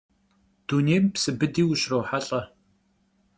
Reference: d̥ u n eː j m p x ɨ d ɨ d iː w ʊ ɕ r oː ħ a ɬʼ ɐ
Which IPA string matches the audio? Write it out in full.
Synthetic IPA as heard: d̥ u n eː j m p s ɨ b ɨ d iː w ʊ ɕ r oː ħ a ɬʼ ɐ